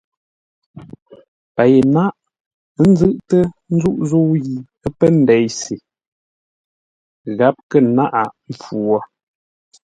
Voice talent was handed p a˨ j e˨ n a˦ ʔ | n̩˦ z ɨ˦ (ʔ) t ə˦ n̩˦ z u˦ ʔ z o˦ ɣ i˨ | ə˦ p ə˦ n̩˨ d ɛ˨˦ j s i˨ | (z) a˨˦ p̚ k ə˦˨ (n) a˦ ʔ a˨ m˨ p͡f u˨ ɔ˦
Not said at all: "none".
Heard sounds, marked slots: ʔ, ɣ, n

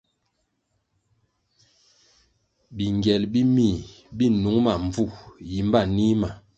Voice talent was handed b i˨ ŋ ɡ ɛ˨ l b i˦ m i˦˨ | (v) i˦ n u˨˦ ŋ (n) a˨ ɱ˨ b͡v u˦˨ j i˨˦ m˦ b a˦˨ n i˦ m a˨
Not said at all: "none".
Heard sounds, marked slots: b, m

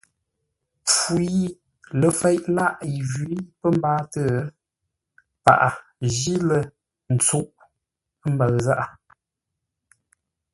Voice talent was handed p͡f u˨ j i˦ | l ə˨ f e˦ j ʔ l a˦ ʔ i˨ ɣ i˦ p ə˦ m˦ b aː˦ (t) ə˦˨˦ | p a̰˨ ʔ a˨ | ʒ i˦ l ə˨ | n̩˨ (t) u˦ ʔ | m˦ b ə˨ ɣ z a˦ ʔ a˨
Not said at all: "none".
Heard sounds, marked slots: t, t͡s

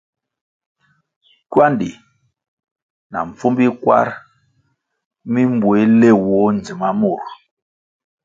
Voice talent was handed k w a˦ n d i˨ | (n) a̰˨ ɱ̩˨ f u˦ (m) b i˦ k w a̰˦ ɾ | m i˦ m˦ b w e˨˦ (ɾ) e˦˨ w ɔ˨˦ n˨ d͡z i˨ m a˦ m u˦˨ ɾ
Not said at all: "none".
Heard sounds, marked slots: n, m, l

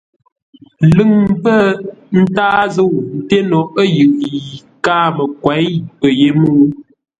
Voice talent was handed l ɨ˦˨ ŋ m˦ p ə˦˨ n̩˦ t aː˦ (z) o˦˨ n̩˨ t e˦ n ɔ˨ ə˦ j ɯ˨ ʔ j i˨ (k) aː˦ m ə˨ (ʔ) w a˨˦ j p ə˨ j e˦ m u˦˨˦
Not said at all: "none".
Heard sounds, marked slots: z, k, k

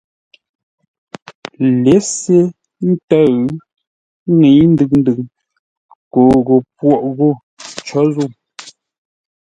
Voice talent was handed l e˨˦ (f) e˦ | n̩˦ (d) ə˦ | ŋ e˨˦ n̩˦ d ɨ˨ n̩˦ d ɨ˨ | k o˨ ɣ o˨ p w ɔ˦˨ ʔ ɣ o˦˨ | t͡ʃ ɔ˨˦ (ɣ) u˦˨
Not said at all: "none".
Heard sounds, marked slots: s, t, z

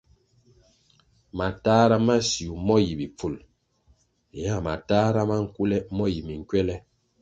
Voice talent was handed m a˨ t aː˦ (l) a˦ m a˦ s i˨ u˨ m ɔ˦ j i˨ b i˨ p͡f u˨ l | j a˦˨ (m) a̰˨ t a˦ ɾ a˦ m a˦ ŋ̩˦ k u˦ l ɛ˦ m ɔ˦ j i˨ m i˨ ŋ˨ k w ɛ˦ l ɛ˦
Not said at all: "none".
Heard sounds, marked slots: ɾ, m

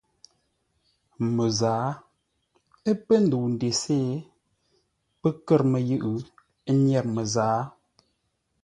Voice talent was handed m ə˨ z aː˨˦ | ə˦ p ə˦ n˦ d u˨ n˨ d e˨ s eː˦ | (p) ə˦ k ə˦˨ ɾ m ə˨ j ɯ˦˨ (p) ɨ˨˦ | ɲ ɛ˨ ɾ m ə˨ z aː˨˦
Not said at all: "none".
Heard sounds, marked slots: p, ʔ

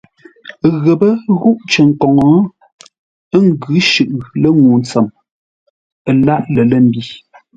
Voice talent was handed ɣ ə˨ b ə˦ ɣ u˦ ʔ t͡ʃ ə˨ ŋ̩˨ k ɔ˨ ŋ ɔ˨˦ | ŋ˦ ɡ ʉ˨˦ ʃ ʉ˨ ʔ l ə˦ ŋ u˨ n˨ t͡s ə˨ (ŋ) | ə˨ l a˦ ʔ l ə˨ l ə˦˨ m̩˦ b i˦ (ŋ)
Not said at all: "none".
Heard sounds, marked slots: m, none

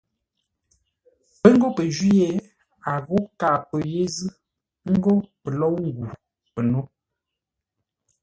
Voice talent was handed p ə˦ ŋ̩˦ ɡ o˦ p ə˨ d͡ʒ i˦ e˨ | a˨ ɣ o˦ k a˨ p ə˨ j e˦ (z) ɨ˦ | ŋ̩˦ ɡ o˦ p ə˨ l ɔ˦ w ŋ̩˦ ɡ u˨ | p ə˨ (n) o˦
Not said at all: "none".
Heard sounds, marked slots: z, n

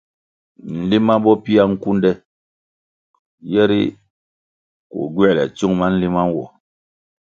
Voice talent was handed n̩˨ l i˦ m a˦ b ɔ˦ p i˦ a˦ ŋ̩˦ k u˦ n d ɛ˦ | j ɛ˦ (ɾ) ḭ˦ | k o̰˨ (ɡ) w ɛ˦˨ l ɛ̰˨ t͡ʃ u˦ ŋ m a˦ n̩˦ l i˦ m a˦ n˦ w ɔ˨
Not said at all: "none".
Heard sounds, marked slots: ɾ, ɡ

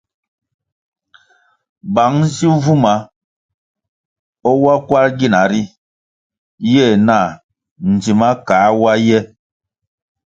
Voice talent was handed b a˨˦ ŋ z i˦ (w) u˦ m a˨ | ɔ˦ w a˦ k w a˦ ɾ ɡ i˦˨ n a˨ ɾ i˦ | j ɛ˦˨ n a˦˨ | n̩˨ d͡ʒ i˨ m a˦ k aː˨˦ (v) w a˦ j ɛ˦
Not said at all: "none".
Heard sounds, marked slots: v, none

